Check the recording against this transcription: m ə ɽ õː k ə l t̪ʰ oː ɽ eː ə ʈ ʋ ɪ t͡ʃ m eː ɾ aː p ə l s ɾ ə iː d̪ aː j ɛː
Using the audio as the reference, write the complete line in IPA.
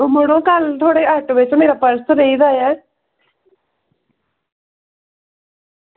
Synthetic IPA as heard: m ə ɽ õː k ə l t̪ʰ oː ɽ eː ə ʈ ʋ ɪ t͡ʃ m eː ɾ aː p ə ɾ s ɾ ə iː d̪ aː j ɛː